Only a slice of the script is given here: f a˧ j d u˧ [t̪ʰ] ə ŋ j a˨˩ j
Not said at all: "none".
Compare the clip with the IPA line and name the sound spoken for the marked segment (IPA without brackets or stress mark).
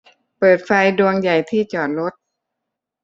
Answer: none